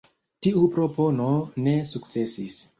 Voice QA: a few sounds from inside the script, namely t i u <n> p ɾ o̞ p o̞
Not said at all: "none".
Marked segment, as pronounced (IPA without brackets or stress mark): none